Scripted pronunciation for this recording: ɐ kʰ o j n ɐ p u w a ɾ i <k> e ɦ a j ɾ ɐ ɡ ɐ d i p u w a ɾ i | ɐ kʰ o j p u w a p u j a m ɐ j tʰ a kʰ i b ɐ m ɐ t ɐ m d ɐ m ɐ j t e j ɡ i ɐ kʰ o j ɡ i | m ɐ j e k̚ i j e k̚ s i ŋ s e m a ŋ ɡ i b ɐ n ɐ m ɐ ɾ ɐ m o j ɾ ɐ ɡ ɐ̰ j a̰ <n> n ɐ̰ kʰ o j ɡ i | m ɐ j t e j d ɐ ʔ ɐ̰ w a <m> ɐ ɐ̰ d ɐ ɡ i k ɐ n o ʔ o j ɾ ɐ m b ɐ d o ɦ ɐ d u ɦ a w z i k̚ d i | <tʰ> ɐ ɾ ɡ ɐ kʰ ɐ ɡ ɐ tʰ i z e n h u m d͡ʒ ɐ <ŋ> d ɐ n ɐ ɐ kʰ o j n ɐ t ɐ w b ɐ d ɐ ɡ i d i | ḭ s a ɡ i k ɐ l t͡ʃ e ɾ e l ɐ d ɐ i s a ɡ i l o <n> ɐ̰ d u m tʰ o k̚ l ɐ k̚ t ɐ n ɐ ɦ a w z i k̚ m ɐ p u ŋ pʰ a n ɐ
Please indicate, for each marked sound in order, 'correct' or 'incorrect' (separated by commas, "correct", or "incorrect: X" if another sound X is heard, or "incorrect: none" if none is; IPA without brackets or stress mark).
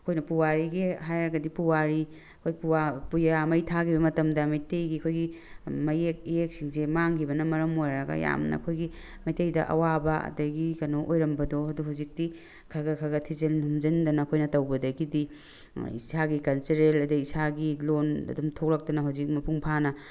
incorrect: ɡ, incorrect: m, incorrect: b, incorrect: kʰ, incorrect: n, correct